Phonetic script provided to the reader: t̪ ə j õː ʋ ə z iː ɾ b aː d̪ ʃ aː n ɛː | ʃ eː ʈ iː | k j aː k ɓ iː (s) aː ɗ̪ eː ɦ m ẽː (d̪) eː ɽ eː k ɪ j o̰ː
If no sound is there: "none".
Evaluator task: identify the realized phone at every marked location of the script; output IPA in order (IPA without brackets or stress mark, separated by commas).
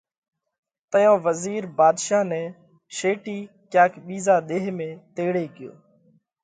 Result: z, t̪